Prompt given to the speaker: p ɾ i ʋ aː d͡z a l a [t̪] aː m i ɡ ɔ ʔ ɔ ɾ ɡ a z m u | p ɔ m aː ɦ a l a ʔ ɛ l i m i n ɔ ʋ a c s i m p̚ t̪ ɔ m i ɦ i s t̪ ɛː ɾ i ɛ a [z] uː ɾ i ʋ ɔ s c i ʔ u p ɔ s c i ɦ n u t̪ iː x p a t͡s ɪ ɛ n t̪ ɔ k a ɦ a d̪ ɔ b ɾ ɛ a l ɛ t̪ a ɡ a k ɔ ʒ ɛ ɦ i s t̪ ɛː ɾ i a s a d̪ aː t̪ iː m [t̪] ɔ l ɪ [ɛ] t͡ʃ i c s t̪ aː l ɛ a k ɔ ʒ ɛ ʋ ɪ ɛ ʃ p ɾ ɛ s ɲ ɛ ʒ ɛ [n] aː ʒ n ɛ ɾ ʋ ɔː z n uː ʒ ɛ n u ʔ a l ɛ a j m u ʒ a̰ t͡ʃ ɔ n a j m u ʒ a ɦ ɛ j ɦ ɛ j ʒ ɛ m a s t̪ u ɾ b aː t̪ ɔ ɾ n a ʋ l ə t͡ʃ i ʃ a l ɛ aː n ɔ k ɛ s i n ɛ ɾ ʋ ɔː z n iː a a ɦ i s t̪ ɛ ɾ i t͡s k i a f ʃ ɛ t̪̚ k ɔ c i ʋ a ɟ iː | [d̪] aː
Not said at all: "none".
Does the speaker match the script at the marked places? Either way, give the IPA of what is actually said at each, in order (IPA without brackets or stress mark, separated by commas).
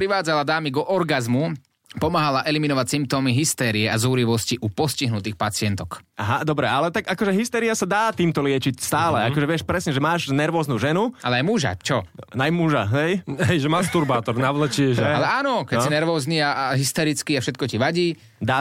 d̪, z, t̪, ɛ, m, d̪